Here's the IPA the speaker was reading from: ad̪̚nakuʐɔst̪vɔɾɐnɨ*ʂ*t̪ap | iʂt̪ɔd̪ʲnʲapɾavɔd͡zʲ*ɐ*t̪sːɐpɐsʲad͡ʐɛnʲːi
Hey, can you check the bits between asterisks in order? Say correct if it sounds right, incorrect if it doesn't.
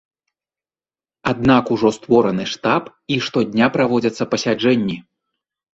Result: correct, correct

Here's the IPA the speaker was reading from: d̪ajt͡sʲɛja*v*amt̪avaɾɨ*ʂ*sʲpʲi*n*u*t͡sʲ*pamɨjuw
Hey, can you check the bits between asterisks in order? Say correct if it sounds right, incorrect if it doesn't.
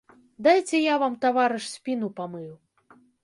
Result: correct, correct, correct, incorrect

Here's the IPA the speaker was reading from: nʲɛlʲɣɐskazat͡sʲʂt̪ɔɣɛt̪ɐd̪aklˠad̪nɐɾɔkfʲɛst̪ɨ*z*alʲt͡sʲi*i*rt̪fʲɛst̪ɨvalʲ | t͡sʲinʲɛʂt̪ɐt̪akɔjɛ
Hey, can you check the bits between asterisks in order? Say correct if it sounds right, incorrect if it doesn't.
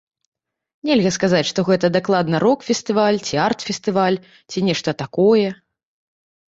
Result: incorrect, incorrect

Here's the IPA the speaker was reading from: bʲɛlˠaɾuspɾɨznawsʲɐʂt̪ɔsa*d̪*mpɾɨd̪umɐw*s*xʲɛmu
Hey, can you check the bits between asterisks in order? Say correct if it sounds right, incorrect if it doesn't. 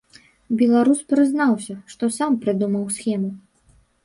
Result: incorrect, correct

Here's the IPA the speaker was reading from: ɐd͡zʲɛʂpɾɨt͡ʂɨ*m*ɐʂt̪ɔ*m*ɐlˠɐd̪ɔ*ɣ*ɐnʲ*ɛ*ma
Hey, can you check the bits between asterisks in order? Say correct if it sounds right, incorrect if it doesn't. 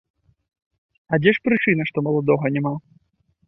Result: incorrect, correct, correct, correct

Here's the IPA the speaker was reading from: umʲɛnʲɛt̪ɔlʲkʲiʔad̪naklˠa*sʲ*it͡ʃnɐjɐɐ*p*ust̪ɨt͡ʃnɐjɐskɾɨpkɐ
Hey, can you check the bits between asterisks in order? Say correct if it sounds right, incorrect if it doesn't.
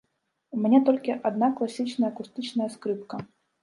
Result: correct, incorrect

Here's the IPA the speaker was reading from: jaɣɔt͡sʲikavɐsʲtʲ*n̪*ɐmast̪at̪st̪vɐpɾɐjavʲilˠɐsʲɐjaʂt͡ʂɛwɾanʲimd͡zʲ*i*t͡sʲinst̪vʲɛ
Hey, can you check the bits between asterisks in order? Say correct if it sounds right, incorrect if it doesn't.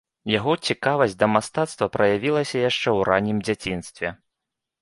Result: incorrect, incorrect

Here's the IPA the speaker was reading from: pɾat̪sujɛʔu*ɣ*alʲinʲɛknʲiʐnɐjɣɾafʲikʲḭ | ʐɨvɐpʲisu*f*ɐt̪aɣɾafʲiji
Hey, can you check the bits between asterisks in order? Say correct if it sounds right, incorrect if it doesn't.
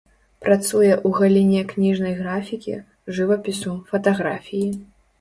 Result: correct, correct

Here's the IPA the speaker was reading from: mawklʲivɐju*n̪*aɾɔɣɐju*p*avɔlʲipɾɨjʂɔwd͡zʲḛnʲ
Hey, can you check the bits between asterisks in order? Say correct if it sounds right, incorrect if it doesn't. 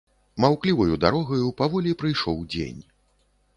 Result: incorrect, correct

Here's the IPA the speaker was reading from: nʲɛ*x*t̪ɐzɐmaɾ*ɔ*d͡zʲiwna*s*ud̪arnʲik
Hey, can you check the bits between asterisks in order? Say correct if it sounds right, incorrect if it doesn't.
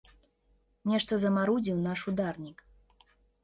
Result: incorrect, incorrect, incorrect

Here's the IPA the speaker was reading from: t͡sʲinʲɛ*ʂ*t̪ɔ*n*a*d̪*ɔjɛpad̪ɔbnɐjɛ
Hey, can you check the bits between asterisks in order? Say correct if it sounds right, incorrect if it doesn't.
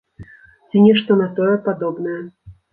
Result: correct, correct, incorrect

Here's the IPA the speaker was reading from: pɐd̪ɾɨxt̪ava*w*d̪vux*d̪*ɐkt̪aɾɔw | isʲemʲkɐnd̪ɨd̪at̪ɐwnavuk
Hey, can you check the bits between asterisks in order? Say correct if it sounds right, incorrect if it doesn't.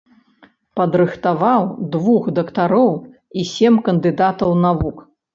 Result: correct, correct

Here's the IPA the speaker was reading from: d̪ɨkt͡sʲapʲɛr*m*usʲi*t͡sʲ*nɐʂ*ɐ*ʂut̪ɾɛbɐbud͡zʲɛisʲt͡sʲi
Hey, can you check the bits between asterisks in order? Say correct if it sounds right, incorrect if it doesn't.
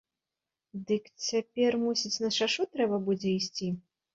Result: correct, correct, incorrect

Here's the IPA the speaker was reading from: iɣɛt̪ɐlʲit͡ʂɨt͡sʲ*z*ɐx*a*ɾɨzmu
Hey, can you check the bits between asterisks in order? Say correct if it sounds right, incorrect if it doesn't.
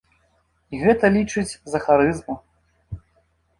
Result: correct, correct

